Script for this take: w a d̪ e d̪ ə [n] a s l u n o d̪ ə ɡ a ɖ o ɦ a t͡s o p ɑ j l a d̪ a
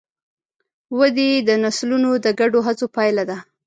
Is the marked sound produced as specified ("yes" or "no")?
yes